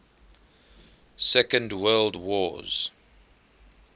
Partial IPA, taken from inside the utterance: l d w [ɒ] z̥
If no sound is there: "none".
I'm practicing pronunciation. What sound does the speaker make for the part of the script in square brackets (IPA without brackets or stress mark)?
ɔ